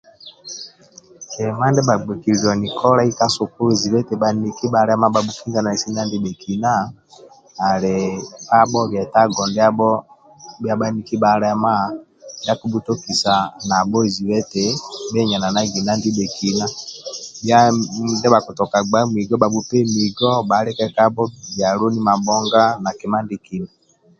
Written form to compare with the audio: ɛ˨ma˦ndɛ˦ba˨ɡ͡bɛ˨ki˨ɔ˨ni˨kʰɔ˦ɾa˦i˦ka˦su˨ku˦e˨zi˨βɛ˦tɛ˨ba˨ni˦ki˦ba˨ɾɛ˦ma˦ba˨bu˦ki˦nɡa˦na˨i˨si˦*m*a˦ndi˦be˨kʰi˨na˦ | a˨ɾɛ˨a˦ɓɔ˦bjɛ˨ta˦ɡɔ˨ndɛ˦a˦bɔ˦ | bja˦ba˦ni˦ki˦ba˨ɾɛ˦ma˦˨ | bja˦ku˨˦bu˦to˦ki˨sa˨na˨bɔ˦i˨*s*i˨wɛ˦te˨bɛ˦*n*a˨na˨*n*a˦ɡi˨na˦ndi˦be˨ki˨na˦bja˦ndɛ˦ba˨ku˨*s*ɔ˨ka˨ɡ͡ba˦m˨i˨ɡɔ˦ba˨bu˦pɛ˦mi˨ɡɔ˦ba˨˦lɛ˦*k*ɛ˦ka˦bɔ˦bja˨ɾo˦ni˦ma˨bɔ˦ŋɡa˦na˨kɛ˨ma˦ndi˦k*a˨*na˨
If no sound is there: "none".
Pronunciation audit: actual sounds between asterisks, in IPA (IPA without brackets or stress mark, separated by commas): n, z, ɲ, n, t, k, i˨